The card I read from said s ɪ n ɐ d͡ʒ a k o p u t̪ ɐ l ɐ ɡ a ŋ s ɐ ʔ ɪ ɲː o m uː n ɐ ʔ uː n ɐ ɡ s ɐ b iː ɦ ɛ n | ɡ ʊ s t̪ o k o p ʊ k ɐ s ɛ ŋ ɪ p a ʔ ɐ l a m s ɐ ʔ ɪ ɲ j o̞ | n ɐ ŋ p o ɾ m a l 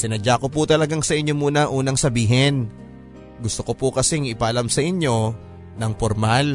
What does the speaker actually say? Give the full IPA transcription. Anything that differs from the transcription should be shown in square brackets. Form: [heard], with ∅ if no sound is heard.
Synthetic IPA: s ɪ n ɐ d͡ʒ a k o p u t̪ ɐ l ɐ ɡ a ŋ s ɐ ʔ ɪ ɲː o m uː n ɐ ʔ uː n ɐ [ŋ] s ɐ b iː ɦ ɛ n | ɡ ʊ s t̪ o k o p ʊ k ɐ s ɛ ŋ ɪ p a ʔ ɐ l a m s ɐ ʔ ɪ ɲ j o̞ | n ɐ ŋ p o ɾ m a l